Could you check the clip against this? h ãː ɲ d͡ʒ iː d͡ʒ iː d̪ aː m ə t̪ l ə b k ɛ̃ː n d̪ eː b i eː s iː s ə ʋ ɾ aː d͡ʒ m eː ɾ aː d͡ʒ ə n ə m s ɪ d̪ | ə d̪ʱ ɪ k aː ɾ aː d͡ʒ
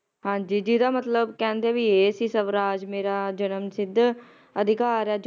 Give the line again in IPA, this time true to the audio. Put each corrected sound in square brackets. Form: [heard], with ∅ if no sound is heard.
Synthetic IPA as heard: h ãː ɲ d͡ʒ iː d͡ʒ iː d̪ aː m ə t̪ l ə b k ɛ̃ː n d̪ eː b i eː s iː s ə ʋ ɾ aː d͡ʒ m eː ɾ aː d͡ʒ ə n ə m s ɪ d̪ | ə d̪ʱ ɪ k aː ɾ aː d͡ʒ

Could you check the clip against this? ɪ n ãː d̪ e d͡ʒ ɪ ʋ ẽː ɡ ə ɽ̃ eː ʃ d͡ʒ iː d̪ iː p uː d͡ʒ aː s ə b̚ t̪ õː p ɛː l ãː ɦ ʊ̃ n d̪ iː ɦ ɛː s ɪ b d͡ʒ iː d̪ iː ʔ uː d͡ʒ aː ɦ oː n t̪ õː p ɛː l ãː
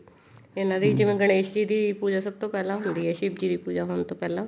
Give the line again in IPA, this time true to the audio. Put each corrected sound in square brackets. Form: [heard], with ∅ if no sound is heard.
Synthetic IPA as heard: ɪ n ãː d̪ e d͡ʒ ɪ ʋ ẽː ɡ ə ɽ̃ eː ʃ d͡ʒ iː d̪ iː p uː d͡ʒ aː s ə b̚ t̪ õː p ɛː l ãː ɦ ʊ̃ n d̪ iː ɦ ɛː [ʃ] ɪ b d͡ʒ iː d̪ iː [p] uː d͡ʒ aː ɦ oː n t̪ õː p ɛː l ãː

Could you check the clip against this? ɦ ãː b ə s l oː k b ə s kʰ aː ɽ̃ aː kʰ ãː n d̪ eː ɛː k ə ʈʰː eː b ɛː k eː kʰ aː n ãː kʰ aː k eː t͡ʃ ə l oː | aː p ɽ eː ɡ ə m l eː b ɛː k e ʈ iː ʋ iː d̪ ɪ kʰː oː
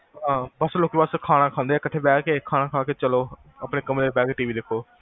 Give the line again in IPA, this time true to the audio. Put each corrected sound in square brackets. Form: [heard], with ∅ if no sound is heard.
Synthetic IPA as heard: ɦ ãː b ə s l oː k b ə s kʰ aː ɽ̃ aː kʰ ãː n d̪ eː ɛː k ə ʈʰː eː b ɛː k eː kʰ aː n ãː kʰ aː k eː t͡ʃ ə l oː | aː p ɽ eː [k] ə m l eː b ɛː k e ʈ iː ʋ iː d̪ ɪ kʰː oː

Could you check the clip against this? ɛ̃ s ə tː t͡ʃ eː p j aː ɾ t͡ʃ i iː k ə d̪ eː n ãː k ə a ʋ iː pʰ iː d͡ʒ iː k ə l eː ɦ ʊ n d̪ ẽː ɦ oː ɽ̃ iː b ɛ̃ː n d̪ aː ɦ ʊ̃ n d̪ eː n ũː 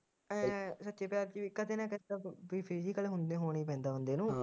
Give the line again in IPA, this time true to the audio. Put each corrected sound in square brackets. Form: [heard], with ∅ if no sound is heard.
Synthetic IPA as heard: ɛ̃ s ə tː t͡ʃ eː p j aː ɾ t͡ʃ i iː k ə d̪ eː n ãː k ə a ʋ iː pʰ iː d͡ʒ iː k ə l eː ɦ ʊ n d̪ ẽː ɦ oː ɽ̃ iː [p] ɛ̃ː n d̪ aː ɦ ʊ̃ n d̪ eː n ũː

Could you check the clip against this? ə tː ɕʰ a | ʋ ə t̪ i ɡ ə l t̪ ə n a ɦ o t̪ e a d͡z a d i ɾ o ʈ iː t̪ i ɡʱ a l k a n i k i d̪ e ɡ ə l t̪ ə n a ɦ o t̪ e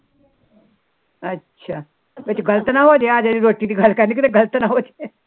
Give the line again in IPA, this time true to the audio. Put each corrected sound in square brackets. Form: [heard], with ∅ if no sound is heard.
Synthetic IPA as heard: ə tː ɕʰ a | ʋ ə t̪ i ɡ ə l t̪ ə n a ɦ o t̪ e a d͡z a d i ɾ o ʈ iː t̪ i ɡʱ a l k a n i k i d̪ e ɡ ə l t̪ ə n a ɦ o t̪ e

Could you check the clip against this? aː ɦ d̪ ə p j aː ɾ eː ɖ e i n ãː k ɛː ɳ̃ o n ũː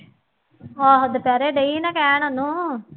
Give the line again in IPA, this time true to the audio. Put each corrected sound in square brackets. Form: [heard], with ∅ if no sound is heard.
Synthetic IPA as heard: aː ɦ d̪ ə p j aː ɾ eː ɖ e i n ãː k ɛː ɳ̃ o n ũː

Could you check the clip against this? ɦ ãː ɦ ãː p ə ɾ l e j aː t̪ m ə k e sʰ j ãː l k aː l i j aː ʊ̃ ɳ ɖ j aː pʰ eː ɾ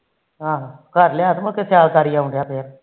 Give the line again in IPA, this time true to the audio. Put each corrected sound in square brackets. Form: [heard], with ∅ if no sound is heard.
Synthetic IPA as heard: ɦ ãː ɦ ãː [k] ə ɾ l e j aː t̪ m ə k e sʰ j [aː] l k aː [ɾ] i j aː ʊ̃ ɳ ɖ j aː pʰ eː ɾ

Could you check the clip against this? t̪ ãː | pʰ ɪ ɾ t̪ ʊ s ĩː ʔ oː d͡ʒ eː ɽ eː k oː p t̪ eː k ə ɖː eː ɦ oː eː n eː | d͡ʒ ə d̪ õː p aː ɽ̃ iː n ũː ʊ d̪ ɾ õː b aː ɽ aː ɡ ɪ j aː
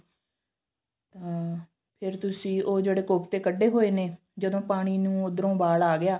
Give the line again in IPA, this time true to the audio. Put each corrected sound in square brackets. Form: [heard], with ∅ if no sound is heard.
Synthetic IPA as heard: t̪ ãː | pʰ ɪ ɾ t̪ ʊ s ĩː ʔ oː d͡ʒ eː ɽ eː k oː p t̪ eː k ə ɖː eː ɦ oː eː n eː | d͡ʒ ə d̪ õː p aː ɽ̃ iː n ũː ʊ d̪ ɾ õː b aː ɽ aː ɡ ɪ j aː

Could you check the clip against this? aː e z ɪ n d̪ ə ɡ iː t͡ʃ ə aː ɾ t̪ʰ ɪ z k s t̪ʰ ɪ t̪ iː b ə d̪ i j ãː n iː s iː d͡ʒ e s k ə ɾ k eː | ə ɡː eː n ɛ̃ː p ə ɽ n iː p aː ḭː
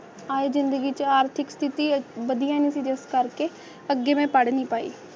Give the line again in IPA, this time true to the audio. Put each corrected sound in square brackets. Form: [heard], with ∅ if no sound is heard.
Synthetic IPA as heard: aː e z ɪ n d̪ ə ɡ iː t͡ʃ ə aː ɾ t̪ʰ ɪ [∅] k s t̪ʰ ɪ t̪ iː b ə d̪ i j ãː n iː s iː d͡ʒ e s k ə ɾ k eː | ə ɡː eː [m] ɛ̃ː p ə ɽ n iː p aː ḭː

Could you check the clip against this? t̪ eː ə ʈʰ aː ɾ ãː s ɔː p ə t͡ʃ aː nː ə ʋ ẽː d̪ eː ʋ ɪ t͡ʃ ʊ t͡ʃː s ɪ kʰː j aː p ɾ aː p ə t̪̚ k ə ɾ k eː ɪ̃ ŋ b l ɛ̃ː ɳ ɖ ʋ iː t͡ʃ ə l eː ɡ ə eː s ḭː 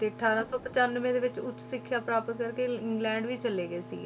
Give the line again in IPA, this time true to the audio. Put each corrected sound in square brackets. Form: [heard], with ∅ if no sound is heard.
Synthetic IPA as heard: t̪ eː ə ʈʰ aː ɾ ãː s ɔː p ə t͡ʃ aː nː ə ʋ ẽː d̪ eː ʋ ɪ t͡ʃ ʊ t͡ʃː s ɪ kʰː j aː p ɾ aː p ə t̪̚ k ə ɾ k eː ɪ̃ ŋ [ɡ] l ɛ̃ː ɳ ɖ ʋ iː t͡ʃ ə l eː ɡ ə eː s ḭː

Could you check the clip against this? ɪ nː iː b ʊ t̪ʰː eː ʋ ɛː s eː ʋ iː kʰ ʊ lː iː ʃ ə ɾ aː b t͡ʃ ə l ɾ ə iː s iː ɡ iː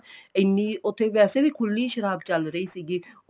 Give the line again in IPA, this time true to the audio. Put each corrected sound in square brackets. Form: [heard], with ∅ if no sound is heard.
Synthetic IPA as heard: ɪ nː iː [∅] ʊ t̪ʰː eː ʋ ɛː s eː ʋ iː kʰ ʊ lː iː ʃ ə ɾ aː b t͡ʃ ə l ɾ ə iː s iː ɡ iː

